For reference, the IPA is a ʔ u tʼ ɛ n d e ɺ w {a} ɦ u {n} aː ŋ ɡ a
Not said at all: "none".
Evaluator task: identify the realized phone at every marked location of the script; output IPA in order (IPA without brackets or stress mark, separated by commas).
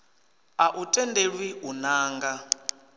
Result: i, n